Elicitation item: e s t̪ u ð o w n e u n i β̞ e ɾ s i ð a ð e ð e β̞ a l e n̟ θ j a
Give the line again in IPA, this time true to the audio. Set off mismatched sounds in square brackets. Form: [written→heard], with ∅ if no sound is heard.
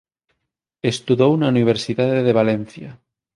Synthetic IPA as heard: e s t̪ u ð o w n [e→a] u n i β̞ e ɾ s i ð a ð e ð e β̞ a l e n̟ θ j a